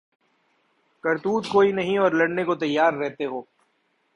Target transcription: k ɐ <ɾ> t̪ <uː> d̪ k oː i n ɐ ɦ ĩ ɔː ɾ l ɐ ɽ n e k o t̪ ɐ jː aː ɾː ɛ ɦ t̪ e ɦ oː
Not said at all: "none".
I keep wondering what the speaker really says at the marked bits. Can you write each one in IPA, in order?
ɾ, uː

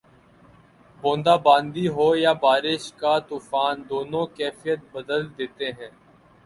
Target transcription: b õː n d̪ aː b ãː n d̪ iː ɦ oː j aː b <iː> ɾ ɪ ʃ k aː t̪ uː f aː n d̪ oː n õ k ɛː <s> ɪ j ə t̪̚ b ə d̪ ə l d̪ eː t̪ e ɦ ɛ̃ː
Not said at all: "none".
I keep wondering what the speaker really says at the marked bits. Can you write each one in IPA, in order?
aː, f

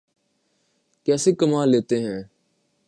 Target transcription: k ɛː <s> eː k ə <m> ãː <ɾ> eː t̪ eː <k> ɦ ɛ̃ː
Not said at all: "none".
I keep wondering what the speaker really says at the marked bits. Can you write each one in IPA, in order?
s, m, l, none

